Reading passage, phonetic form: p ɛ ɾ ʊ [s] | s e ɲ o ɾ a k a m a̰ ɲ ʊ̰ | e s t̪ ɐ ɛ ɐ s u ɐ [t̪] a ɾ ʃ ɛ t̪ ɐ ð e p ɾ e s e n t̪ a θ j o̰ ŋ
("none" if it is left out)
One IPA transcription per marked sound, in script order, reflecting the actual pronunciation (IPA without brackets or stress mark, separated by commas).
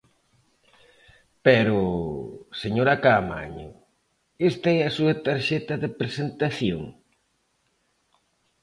none, t̪